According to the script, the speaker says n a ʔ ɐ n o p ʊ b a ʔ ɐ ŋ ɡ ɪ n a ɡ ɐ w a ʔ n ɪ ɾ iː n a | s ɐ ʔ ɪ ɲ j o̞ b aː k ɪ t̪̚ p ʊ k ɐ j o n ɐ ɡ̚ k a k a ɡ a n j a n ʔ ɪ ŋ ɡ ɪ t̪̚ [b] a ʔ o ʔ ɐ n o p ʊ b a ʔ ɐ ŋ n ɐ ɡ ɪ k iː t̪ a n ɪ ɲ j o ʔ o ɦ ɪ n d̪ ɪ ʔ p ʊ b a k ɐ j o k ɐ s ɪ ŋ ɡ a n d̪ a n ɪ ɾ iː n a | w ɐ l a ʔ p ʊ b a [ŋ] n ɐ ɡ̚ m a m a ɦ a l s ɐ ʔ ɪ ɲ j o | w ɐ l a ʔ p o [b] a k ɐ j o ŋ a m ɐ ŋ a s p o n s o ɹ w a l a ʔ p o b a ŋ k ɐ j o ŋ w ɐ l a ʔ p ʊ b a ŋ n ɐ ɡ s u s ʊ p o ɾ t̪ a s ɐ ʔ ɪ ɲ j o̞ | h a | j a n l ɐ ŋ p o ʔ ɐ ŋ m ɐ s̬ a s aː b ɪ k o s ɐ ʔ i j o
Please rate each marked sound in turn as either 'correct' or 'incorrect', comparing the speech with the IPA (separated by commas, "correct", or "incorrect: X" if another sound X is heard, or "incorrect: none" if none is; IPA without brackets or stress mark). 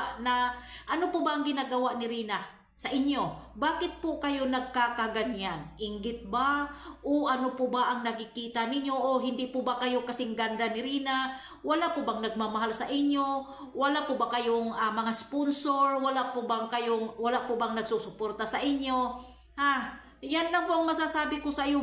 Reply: correct, correct, correct